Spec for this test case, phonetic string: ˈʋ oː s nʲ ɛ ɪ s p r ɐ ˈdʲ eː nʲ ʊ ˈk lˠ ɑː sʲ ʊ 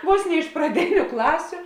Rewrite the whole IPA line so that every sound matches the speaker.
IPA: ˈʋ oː s nʲ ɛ ɪ ʃ p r ɐ ˈdʲ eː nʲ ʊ ˈk lˠ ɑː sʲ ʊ